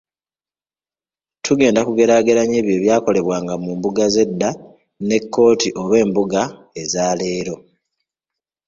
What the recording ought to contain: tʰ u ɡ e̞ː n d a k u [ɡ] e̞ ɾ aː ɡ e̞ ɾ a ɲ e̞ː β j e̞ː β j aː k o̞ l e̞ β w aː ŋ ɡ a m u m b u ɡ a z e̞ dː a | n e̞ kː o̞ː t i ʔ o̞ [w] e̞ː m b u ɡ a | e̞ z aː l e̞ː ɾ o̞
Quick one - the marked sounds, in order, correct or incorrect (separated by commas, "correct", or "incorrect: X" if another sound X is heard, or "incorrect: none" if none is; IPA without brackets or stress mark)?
correct, incorrect: β